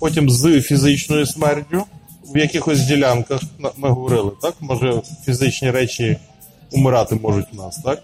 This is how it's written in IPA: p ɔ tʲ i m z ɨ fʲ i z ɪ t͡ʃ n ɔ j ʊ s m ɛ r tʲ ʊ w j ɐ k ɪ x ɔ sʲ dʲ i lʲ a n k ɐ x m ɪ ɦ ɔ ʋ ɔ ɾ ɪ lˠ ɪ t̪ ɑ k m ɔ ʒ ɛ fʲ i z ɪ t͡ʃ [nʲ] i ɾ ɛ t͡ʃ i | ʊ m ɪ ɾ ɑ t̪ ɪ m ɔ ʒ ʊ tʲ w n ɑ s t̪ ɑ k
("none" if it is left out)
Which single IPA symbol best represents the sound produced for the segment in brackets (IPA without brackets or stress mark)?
nʲ